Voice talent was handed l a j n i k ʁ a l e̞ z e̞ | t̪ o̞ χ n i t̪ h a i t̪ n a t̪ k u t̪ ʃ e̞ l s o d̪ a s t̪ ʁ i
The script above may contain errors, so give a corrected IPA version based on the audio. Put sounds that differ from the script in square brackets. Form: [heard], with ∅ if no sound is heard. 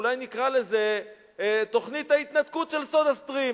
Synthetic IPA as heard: l a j n i k ʁ a l e̞ z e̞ | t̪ o̞ χ n i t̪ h a i t̪ n a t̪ k u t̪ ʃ e̞ l s o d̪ a s t̪ ʁ i